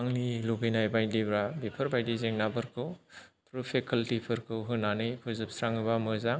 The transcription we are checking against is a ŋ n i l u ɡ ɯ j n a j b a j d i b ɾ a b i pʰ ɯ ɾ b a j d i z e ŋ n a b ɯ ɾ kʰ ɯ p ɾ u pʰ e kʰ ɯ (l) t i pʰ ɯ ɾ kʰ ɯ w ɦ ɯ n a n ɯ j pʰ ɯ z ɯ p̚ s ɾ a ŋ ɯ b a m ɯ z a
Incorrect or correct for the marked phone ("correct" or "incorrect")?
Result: correct